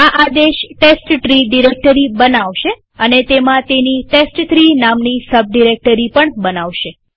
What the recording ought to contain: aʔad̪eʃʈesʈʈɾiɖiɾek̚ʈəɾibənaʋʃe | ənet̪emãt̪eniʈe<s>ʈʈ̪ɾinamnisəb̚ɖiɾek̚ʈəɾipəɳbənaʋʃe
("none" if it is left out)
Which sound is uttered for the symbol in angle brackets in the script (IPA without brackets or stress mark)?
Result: s